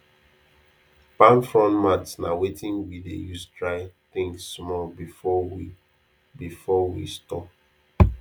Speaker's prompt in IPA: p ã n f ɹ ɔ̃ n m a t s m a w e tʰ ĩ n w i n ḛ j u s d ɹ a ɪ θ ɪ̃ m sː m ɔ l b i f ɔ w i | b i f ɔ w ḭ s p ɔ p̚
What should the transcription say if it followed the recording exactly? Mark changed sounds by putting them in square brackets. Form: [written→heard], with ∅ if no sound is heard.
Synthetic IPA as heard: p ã n f ɹ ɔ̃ n m a t s [m→n] a w e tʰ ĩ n w i [n→d] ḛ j u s d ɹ a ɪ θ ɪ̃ [m→ŋ] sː m ɔ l b i f ɔ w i | b i f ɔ w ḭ s [p→t] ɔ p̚